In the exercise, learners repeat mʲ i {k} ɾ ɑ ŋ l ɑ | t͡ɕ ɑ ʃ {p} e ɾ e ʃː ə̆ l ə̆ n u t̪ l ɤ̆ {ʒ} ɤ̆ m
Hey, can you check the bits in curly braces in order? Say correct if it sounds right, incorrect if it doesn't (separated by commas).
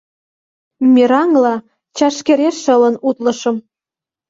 incorrect, incorrect, incorrect